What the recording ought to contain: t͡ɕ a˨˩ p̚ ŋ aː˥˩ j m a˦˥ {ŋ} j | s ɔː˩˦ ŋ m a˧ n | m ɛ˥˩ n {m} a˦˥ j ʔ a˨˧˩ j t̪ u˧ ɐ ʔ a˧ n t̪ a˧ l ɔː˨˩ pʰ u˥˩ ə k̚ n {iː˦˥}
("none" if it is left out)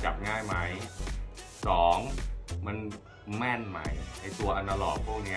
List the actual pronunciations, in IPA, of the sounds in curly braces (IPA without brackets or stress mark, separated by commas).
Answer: none, m, i˦˥